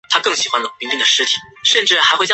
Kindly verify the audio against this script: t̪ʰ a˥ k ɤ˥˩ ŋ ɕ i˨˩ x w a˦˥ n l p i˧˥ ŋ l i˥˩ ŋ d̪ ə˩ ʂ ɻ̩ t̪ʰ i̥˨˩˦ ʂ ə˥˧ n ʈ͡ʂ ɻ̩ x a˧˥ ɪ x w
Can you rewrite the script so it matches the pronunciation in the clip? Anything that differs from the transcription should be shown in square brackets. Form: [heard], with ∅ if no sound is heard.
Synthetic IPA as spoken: t̪ʰ a˥ k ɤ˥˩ ŋ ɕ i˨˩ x w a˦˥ n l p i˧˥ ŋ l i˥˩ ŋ d̪ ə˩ ʂ ɻ̩ t̪ʰ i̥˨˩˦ ʂ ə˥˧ n ʈ͡ʂ ɻ̩ x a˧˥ ɪ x w